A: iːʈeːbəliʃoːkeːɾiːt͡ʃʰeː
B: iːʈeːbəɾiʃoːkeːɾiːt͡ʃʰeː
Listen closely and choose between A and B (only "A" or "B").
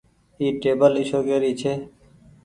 A